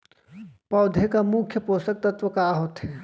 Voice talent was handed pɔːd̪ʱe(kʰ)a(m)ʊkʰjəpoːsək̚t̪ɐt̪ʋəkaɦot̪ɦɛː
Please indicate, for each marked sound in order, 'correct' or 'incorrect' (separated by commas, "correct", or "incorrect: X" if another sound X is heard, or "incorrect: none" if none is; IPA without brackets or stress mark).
incorrect: k, correct